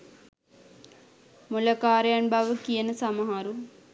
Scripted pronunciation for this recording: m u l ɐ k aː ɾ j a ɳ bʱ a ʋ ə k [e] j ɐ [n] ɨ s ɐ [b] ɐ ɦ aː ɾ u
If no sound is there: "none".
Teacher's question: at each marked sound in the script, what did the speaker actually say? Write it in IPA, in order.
i, n, m

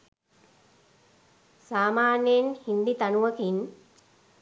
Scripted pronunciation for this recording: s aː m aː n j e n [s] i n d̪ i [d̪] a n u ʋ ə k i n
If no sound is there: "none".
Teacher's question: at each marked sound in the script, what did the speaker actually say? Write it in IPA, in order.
h, t̪

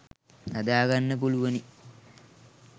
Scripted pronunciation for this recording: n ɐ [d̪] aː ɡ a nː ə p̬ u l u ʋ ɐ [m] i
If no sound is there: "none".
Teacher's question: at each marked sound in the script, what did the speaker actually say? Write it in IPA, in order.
d̪, n

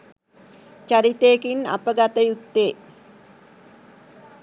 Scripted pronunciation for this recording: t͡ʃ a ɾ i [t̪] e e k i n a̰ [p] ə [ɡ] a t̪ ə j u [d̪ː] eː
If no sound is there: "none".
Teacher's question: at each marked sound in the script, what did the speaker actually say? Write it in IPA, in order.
t̪, p, ɡ, t̪ː

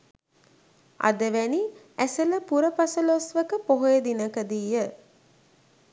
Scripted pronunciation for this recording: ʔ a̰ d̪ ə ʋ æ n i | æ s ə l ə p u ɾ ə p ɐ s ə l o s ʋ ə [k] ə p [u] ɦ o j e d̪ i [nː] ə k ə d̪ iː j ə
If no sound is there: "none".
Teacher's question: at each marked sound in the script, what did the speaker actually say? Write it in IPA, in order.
k, o, n

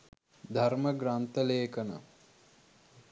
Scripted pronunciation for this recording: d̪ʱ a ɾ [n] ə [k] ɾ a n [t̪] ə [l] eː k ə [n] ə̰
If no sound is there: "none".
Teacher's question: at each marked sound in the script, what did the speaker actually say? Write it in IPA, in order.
m, ɡ, t̪, l, n

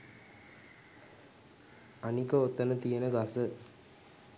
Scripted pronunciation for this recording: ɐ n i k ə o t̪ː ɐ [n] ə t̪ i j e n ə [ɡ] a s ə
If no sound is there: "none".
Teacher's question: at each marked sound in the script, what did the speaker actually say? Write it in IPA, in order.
n, ɡ

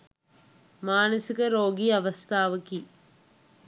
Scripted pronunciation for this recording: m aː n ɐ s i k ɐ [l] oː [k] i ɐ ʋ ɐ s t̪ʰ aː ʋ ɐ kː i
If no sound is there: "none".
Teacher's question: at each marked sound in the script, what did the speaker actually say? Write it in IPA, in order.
ɾ, ɡ

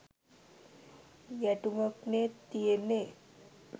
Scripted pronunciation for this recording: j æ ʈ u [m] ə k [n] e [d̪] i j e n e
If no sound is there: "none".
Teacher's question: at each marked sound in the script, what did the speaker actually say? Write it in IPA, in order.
m, n, t̪

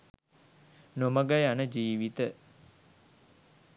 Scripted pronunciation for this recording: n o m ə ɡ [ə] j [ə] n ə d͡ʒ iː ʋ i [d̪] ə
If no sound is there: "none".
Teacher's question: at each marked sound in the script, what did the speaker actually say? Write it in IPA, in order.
a, a, t̪

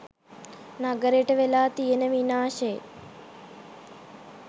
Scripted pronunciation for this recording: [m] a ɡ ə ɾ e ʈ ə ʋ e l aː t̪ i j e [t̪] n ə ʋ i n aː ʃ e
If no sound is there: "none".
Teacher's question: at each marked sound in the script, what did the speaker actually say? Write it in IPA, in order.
n, none

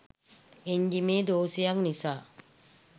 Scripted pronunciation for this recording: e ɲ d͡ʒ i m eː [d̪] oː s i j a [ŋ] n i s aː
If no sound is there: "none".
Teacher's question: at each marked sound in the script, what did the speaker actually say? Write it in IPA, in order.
d̪, ŋ

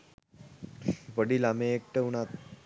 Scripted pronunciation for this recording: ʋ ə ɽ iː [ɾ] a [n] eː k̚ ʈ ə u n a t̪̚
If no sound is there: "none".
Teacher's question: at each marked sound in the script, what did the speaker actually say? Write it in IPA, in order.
l, m

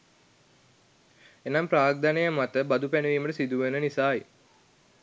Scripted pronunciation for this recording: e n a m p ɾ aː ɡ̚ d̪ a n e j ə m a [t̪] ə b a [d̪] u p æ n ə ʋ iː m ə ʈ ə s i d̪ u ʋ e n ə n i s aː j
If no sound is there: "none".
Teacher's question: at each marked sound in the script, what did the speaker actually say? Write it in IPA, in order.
t̪, d̪

